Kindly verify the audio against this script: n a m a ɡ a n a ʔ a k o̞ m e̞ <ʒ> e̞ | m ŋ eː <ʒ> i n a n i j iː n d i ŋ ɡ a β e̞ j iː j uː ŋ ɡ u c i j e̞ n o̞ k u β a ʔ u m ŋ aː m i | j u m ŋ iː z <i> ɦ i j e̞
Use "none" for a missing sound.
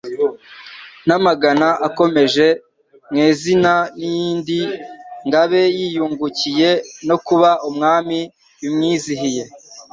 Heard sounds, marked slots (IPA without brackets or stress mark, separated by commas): ʒ, z, i